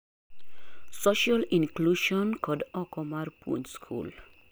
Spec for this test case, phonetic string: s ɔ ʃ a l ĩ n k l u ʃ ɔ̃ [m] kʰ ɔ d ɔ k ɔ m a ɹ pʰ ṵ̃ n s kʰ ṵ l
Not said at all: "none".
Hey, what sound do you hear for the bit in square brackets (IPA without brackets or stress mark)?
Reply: n